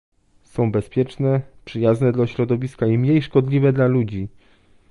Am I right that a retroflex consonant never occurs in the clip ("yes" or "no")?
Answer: no